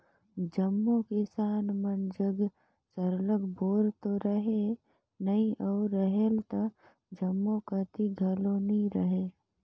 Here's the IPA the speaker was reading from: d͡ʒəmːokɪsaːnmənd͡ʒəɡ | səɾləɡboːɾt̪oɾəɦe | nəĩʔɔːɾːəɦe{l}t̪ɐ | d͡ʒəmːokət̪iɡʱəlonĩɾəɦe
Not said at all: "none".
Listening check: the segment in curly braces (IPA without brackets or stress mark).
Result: l